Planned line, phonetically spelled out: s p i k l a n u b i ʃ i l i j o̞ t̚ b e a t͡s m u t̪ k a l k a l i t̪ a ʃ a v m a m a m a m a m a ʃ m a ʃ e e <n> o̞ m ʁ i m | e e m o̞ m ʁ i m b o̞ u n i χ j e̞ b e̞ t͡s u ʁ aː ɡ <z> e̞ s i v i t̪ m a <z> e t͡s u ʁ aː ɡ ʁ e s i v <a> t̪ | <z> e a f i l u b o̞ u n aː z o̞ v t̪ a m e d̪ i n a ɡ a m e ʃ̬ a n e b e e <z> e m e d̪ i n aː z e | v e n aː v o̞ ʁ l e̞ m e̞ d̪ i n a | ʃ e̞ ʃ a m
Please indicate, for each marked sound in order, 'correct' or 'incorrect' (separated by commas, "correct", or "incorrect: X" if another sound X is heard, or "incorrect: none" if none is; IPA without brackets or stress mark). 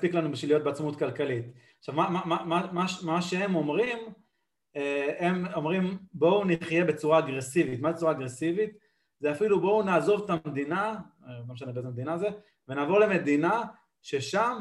incorrect: m, incorrect: ʁ, correct, incorrect: i, correct, correct